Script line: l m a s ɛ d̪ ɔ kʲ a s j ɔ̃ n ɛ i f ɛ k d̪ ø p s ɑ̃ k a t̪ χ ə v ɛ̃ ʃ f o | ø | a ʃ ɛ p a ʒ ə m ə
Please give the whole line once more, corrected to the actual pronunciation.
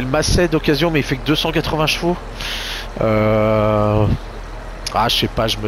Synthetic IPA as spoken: l m a s ɛ d̪ ɔ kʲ a z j ɔ̃ m ɛ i f ɛ k d̪ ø s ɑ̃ k a t̪ χ ə v ɛ̃ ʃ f o | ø | a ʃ ɛ p a ʒ ə m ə